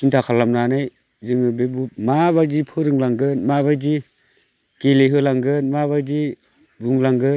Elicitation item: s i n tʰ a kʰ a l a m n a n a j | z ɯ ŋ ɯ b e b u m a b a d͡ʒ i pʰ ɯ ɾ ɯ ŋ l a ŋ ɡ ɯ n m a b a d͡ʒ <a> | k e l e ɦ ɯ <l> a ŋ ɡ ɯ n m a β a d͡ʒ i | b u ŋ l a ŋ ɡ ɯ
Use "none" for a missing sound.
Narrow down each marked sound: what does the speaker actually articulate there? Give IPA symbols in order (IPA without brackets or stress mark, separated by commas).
i, l